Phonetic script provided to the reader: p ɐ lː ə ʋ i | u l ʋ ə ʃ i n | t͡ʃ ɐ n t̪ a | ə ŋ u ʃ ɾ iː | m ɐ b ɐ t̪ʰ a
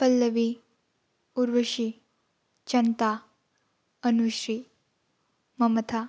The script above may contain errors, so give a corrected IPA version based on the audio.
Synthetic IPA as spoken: p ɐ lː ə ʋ i | u ɾ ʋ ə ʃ i | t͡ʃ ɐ n t̪ a | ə n u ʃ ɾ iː | m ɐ m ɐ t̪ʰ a